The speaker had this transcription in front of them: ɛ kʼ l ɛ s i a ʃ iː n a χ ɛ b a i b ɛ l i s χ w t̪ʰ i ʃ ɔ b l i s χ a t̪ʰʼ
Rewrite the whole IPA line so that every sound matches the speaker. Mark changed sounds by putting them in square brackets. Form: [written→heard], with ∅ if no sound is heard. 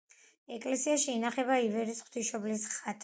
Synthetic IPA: ɛ kʼ l ɛ s i a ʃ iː n a χ ɛ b a i [b→v] ɛ [l→ɾ] i s χ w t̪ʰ i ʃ ɔ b l i s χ a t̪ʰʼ